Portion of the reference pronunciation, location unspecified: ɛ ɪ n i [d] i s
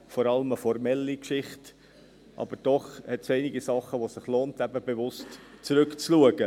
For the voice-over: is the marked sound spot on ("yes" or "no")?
no